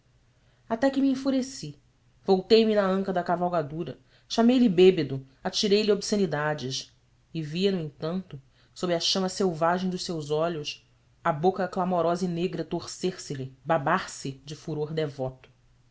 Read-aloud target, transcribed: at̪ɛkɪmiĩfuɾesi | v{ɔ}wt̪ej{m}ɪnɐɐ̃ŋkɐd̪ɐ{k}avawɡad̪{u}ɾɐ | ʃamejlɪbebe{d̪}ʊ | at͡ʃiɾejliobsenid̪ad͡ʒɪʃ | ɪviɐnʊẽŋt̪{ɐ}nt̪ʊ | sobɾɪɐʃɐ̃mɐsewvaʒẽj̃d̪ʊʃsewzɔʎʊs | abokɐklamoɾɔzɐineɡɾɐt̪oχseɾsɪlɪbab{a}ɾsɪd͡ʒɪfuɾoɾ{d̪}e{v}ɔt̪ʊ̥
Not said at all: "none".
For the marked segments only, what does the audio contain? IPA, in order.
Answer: o, m, k, u, d̪, ɐ̃, a, d̪, v

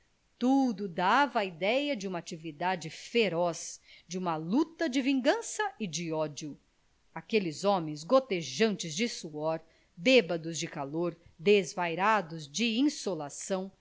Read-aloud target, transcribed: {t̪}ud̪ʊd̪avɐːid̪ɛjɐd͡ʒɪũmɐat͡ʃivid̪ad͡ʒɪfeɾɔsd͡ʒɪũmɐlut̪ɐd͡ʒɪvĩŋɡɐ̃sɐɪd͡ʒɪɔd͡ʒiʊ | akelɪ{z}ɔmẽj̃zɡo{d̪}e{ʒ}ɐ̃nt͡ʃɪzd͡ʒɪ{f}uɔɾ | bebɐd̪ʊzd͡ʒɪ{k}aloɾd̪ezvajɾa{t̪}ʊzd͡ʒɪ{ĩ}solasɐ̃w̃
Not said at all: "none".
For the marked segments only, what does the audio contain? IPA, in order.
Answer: t̪, z, t̪, ʒ, s, k, d̪, ĩ

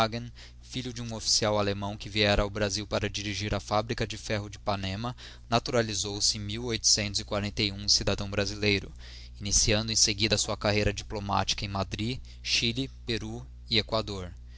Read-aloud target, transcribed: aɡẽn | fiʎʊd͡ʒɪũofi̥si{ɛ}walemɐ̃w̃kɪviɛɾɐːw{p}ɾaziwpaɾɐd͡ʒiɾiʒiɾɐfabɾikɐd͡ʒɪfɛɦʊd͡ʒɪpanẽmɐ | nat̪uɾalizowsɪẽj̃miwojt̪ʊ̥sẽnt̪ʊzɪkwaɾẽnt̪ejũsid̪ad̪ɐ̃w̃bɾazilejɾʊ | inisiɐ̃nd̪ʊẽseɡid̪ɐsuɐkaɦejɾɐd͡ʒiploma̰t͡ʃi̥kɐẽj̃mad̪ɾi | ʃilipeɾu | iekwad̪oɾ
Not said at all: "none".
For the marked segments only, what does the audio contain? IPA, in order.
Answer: a, b

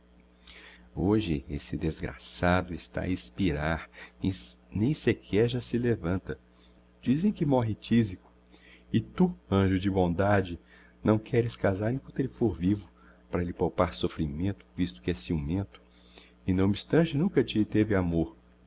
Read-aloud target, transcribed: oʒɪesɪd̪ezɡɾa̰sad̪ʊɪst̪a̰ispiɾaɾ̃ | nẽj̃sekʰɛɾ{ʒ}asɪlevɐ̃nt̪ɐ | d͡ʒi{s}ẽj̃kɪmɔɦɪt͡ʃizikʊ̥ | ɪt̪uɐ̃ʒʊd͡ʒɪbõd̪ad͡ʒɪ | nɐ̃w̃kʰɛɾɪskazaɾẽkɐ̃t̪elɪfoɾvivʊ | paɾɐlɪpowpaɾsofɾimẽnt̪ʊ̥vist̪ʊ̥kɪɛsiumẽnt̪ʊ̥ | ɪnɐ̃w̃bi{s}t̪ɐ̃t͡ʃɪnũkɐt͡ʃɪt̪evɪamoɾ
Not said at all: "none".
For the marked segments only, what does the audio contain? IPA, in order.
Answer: ʒ, z, s

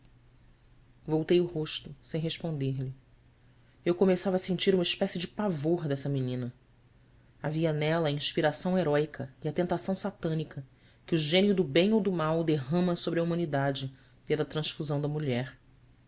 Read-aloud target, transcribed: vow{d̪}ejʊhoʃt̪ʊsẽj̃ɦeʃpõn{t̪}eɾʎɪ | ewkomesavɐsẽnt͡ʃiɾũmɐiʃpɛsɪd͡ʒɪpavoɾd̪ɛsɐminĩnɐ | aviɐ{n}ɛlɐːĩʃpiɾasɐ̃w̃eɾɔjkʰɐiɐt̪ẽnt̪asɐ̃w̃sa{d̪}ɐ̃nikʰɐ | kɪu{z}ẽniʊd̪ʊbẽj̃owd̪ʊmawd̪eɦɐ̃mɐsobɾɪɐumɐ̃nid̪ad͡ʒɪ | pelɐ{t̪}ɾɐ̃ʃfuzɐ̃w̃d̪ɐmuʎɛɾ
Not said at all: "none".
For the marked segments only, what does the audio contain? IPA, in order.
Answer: t̪, d̪, n, t̪, ʒ, t̪

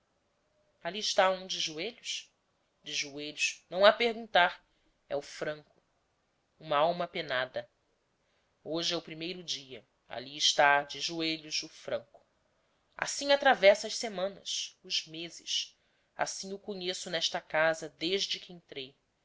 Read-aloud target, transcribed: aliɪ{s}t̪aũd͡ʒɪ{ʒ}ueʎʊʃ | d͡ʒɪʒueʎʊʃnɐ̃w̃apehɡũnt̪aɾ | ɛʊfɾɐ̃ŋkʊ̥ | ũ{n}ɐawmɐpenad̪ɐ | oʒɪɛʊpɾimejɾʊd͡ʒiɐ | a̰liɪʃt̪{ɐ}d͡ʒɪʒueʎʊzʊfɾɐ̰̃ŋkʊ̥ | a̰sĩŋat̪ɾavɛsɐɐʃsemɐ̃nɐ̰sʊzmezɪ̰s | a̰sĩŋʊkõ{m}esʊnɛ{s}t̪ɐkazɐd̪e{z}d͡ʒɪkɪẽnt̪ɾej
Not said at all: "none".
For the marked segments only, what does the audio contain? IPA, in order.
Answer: ʃ, ʒ, m, a, ɲ, ʃ, ʒ

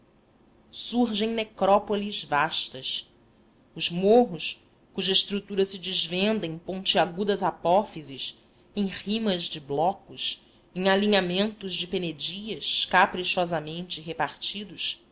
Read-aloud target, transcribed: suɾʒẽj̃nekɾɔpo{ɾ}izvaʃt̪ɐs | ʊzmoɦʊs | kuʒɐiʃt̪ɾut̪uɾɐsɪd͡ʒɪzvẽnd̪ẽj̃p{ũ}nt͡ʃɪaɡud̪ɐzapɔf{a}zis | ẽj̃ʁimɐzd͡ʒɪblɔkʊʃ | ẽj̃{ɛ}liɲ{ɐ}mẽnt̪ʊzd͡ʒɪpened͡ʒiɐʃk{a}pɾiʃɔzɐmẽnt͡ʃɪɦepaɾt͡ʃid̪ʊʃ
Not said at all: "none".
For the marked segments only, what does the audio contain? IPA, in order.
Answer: l, õ, i, a, a, a

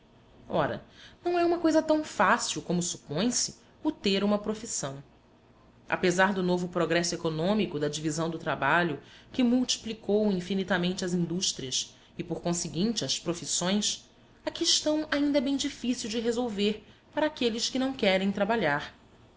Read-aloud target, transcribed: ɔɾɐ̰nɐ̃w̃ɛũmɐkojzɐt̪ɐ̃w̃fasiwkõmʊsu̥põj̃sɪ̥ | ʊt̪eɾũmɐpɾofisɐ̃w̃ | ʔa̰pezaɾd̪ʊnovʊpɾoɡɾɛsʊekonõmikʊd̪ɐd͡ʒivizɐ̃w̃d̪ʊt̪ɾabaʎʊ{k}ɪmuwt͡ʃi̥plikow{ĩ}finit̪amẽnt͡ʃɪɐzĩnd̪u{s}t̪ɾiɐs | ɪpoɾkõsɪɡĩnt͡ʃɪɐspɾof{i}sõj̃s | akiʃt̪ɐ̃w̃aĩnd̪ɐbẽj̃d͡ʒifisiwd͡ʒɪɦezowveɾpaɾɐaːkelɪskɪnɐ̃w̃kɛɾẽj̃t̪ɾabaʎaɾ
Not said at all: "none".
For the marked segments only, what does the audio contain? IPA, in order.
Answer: k, ĩ, ʃ, i

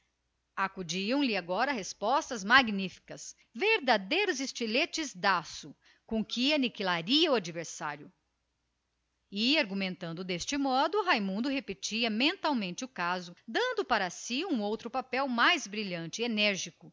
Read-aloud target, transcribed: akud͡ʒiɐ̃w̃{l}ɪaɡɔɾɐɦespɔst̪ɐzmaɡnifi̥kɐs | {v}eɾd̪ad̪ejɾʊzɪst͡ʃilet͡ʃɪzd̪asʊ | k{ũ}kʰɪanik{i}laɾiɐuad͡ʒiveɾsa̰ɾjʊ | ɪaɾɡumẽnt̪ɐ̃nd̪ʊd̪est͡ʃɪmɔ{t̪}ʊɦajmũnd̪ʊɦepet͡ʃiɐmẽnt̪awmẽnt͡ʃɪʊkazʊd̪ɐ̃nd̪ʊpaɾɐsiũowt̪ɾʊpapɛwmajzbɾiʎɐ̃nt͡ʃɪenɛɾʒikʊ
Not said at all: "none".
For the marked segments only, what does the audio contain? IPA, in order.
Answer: l, v, õ, i, d̪

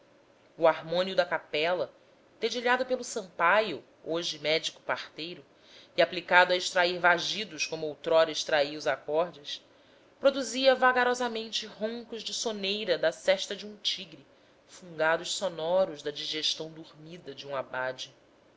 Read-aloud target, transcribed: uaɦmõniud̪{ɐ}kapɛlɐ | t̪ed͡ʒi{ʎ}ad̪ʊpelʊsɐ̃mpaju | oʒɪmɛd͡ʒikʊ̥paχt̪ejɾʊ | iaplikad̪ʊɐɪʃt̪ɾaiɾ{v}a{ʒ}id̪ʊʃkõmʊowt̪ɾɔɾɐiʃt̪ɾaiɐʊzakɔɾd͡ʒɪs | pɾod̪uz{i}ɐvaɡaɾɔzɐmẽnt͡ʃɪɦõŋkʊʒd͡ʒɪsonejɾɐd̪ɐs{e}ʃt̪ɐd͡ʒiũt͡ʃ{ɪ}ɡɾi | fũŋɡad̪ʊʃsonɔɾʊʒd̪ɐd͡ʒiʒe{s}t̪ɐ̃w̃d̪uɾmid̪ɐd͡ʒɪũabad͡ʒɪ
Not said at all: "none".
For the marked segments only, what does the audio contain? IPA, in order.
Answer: ɐ, ʎ, v, ʒ, i, ɛ, i, ʃ

